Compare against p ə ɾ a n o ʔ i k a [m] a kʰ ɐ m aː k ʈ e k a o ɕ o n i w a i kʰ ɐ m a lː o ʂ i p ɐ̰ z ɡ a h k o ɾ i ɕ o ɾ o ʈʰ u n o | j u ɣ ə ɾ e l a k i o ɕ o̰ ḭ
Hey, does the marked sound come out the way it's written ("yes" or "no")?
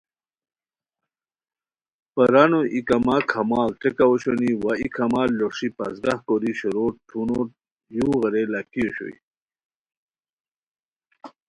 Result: yes